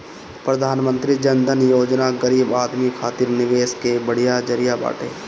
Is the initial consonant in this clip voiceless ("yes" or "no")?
yes